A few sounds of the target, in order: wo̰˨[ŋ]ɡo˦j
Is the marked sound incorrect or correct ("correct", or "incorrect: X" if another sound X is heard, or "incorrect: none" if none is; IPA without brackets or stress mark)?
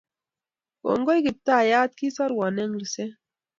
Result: correct